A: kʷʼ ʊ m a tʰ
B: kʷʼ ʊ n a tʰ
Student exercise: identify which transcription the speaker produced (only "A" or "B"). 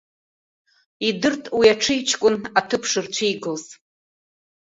B